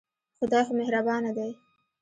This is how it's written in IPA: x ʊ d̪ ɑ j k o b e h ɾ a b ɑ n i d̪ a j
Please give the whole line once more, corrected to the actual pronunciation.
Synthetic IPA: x ʊ d̪ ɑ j x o m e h ɾ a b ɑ n a d̪ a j